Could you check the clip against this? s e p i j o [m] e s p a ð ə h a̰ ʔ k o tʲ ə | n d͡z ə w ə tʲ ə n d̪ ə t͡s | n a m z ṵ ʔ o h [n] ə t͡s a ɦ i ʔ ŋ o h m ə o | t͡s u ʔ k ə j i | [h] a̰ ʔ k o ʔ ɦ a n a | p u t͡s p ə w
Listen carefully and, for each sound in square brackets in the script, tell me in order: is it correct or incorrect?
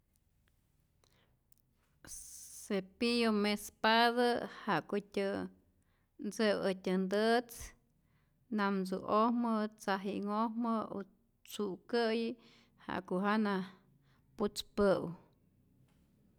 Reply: correct, incorrect, correct

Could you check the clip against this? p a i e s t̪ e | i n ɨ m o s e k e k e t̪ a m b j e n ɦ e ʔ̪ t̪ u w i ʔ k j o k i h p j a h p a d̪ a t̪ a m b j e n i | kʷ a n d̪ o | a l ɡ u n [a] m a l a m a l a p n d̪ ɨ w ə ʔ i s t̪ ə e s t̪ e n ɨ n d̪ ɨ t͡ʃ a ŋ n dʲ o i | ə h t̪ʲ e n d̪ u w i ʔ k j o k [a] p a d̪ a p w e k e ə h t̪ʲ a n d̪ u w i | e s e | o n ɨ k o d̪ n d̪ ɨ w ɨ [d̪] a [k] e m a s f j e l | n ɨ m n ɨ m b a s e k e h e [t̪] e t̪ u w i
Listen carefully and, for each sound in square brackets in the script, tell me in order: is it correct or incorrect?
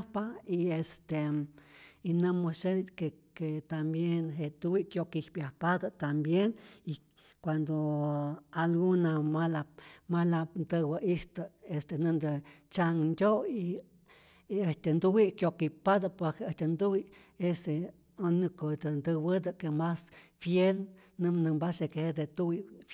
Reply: correct, incorrect, correct, correct, incorrect

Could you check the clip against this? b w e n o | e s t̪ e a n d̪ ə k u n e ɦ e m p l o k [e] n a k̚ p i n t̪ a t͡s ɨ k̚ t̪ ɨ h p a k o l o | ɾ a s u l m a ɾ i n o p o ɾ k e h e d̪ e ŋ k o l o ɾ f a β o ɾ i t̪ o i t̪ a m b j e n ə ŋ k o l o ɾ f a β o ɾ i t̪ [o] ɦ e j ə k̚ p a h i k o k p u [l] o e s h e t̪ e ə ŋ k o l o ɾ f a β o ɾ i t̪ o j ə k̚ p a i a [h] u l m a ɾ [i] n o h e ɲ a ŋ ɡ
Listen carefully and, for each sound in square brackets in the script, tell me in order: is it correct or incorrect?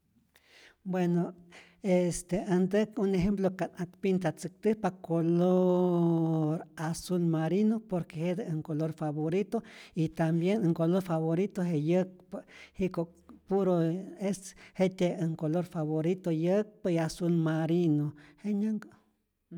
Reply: incorrect, correct, incorrect, incorrect, correct

